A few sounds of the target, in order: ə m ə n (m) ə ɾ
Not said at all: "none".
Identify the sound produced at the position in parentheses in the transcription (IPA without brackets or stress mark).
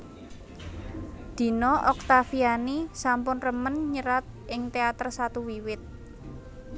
ɲ